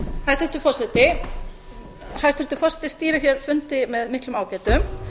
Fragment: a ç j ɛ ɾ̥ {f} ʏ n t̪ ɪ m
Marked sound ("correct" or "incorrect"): correct